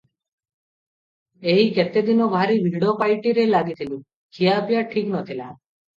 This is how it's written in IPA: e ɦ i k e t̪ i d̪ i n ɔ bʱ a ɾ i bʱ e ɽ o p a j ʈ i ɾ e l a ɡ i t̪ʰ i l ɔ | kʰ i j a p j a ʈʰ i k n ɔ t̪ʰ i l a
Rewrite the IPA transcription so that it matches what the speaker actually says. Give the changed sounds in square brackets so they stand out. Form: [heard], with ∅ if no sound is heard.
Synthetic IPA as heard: e ɦ i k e t̪ [e] d̪ i n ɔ bʱ a ɾ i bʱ [i] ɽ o p a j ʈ i ɾ e l a ɡ i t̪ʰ i l [u] | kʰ i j a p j a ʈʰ i k n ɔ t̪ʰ i l a